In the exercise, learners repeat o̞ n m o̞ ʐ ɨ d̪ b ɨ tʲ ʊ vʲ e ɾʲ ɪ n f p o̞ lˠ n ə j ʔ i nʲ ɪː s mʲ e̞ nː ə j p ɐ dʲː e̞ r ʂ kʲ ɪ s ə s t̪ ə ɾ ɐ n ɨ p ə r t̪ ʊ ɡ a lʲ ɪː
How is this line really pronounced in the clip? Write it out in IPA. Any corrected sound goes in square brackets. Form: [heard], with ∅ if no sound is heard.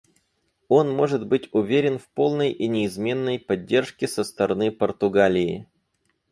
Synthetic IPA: o̞ n m o̞ ʐ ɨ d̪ b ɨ tʲ ʊ vʲ e ɾʲ ɪ n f p o̞ lˠ n ə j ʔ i nʲ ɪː [z] mʲ e̞ nː ə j p ɐ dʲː e̞ r ʂ kʲ ɪ s ə s t̪ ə ɾ ɐ n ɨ p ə r t̪ ʊ ɡ a lʲ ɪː

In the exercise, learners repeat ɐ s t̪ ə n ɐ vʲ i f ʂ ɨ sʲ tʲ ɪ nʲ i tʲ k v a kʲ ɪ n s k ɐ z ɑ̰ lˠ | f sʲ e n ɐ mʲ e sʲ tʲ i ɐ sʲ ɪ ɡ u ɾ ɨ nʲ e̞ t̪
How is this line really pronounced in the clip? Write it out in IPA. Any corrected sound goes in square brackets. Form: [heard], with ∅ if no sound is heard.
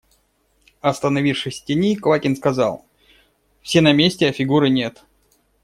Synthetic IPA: ɐ s t̪ ə n ɐ vʲ i f ʂ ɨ sʲ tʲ ɪ nʲ i [∅] k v a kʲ ɪ n s k ɐ z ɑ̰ lˠ | f sʲ e n ɐ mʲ e sʲ tʲ [ɪ] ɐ [fʲ] ɪ ɡ u ɾ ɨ nʲ e̞ t̪

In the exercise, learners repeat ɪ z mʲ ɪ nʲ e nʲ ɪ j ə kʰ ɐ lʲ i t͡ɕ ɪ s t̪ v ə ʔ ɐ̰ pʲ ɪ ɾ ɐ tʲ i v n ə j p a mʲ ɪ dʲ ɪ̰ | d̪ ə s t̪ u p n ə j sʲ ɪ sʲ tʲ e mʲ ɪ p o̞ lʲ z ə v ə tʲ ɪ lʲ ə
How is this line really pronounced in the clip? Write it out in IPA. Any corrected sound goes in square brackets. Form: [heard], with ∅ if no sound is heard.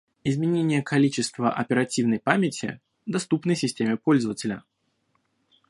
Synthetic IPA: ɪ z mʲ ɪ nʲ e nʲ ɪ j ə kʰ ɐ lʲ i t͡ɕ ɪ s t̪ v ə ʔ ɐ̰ pʲ ɪ ɾ ɐ tʲ i v n ə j p a mʲ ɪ [tʲ] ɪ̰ | d̪ [ɐ] s t̪ u p n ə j sʲ ɪ sʲ tʲ e mʲ ɪ p o̞ lʲ z ə v ə tʲ ɪ lʲ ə

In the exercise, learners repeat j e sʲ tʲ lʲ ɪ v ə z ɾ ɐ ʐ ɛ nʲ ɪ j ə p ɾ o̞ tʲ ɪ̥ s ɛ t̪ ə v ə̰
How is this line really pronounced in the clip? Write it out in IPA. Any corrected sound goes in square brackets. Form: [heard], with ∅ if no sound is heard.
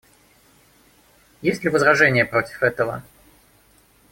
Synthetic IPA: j e sʲ tʲ lʲ ɪ v ə z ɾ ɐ ʐ ɛ nʲ ɪ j ə p ɾ o̞ tʲ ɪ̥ [f] ɛ t̪ ə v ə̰

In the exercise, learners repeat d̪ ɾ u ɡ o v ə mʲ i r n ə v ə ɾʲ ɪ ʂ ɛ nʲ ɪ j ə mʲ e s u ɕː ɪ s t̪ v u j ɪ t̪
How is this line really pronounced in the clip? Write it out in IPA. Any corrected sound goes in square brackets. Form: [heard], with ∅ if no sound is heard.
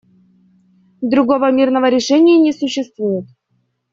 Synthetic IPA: d̪ ɾ u ɡ o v ə mʲ i r n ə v ə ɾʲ ɪ ʂ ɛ nʲ ɪ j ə [nʲ] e s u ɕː ɪ s t̪ v u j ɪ t̪

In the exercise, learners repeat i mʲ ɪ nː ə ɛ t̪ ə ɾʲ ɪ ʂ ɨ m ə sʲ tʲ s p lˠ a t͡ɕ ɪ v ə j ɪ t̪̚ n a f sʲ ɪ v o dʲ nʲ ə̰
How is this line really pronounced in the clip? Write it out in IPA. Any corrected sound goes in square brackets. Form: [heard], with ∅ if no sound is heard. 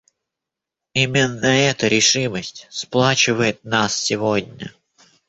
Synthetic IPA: i mʲ ɪ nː ə ɛ t̪ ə ɾʲ ɪ ʂ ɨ m ə sʲ tʲ s p lˠ a t͡ɕ ɪ v ə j ɪ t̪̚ n a [s] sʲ ɪ v o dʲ nʲ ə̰

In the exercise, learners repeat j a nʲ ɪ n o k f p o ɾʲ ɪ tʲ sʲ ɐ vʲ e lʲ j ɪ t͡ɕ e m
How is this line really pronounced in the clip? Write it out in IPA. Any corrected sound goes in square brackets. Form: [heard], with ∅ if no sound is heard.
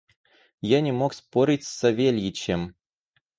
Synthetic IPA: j a nʲ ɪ [m] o k [s] p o ɾʲ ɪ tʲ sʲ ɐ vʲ e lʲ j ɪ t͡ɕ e m

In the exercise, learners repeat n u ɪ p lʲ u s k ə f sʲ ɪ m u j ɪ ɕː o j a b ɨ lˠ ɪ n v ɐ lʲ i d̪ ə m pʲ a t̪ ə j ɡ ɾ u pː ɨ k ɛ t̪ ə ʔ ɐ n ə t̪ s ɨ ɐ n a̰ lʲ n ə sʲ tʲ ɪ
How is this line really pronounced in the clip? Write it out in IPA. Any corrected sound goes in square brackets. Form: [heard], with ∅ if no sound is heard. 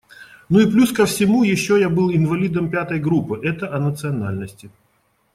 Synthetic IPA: n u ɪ p lʲ u s k ə f sʲ ɪ m u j ɪ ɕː o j a b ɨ lˠ ɪ n v ɐ lʲ i d̪ ə m pʲ a t̪ ə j ɡ ɾ u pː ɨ [ʔ] ɛ t̪ ə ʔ ɐ n ə t̪ s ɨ ɐ n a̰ lʲ n ə sʲ tʲ ɪ

